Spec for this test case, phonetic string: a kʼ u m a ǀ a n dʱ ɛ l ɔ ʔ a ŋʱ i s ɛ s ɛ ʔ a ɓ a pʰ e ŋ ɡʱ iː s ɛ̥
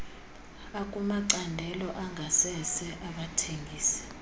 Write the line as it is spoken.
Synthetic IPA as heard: a kʼ u m a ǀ a n dʱ ɛ l ɔ ʔ a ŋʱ a s ɛ s ɛ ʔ a ɓ a tʰ e ŋ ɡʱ iː s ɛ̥